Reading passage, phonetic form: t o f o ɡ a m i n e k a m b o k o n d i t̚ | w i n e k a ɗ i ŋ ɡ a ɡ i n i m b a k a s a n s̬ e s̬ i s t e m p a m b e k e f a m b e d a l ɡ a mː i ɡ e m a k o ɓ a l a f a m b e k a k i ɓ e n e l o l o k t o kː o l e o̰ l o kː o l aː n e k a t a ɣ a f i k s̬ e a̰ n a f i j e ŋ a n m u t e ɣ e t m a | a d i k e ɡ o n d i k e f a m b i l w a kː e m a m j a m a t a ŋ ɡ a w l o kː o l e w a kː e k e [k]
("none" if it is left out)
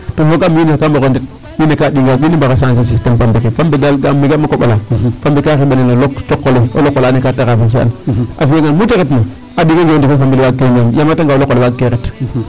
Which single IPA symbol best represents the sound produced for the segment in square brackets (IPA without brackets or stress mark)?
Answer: t